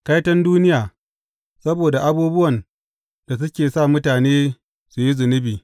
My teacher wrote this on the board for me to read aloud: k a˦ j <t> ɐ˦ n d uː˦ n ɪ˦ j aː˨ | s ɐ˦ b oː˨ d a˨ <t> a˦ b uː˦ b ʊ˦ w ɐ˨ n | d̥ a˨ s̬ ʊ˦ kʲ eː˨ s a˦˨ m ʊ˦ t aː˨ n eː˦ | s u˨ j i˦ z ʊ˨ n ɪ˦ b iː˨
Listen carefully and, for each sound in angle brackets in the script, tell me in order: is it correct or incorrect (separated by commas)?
correct, incorrect